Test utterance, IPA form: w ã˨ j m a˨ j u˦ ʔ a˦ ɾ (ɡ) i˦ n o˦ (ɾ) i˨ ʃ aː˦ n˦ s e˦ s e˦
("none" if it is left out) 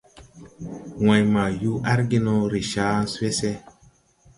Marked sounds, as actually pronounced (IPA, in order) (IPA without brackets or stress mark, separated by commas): ɡ, ɾ